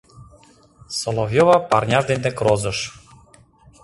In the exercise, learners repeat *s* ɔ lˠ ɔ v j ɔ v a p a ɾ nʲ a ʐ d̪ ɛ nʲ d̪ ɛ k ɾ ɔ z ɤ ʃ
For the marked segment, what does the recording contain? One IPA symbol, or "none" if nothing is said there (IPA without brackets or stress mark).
s